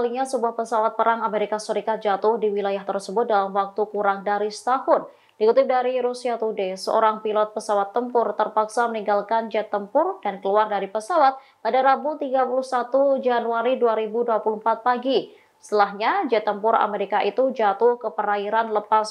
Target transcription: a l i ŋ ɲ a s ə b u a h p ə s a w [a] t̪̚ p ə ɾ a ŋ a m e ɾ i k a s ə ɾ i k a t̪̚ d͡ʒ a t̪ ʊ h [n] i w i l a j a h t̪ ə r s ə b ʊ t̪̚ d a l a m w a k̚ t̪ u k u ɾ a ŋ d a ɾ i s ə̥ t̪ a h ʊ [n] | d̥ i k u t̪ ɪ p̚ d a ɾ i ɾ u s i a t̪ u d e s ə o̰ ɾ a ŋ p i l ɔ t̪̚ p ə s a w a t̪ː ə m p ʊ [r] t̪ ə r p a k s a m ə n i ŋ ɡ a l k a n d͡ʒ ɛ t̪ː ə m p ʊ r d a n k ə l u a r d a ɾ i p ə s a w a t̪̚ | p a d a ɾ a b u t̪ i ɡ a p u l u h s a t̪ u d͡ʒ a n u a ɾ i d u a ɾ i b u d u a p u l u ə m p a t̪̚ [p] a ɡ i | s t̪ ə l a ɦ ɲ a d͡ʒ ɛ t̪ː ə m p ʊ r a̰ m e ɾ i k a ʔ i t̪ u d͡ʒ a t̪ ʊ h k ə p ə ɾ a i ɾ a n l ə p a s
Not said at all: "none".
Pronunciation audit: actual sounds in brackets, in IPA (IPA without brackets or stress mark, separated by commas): a, d, n, r, p